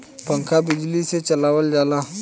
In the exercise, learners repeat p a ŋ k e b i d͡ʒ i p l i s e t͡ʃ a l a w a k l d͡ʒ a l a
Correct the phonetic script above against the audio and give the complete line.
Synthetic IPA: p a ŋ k a b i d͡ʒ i l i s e t͡ʃ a l a w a l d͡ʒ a l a